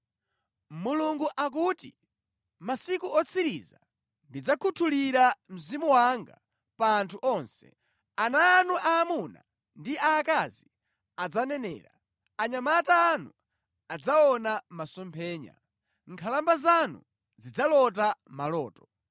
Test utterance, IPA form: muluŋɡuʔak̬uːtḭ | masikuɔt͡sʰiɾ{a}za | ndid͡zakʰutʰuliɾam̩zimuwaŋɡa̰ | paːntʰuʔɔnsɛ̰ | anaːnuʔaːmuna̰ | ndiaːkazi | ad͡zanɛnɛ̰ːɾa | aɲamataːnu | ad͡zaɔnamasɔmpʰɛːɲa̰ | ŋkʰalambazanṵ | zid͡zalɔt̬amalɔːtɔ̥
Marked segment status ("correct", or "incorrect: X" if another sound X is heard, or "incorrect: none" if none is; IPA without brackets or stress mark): incorrect: i